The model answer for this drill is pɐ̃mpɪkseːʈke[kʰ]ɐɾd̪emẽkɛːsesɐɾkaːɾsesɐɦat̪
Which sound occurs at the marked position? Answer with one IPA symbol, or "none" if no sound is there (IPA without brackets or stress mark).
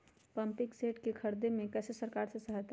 kʰ